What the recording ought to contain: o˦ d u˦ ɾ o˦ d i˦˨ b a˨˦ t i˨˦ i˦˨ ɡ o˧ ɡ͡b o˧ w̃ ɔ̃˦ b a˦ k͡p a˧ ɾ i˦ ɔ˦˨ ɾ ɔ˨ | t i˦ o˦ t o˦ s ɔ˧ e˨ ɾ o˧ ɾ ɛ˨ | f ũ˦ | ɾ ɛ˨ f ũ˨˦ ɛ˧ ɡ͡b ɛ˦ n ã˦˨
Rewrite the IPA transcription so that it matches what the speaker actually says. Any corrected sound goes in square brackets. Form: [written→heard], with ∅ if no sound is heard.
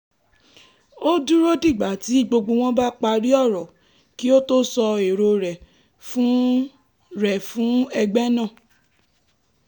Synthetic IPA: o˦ d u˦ ɾ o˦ d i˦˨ [b→ɡ͡b] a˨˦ t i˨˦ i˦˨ [ɡ→ɡ͡b] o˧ ɡ͡b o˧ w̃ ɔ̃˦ b a˦ k͡p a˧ ɾ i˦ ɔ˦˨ ɾ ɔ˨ | [t→k] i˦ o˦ t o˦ s ɔ˧ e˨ ɾ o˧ ɾ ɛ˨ | f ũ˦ | ɾ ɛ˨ f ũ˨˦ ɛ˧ ɡ͡b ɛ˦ n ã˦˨